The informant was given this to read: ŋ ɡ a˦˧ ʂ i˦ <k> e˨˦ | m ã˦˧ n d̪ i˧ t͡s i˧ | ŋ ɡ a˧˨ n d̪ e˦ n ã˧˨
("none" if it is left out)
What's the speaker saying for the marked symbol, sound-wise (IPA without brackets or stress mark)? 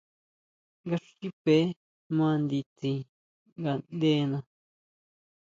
p